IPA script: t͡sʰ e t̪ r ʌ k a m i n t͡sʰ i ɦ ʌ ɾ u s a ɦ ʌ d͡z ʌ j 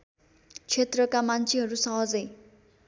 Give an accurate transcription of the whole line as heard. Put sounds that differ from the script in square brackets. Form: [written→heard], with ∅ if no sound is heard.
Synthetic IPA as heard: t͡sʰ e t̪ r ʌ k a m [i→a] n t͡sʰ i ɦ ʌ ɾ u s [a→ʌ] ɦ ʌ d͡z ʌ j